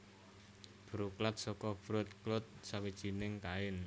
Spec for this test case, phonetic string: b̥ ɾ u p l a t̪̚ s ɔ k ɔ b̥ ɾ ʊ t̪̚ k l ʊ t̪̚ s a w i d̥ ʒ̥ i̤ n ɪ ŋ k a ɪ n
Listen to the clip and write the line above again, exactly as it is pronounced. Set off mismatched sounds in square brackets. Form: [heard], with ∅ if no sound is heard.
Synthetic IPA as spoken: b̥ ɾ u [k] l a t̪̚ s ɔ k ɔ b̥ ɾ ʊ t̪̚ k l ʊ t̪̚ s a w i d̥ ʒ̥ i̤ n ɪ ŋ k a ɪ n